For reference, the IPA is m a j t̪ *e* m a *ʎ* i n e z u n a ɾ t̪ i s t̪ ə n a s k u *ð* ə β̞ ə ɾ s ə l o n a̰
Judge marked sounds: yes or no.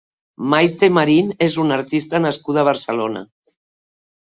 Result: yes, no, yes

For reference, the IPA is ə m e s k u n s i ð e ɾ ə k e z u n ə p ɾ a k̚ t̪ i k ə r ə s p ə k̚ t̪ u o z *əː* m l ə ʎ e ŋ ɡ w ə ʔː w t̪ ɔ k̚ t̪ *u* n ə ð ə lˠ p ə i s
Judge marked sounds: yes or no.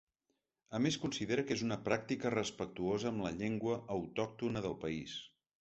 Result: yes, yes

